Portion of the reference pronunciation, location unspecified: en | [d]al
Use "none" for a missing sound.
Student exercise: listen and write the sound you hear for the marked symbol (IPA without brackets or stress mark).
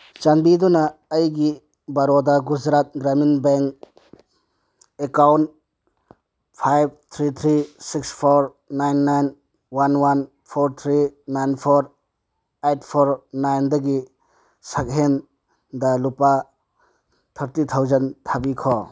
d